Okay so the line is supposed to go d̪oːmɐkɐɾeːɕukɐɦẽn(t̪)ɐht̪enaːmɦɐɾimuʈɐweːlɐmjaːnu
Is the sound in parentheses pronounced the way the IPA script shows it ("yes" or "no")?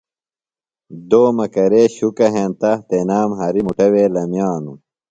yes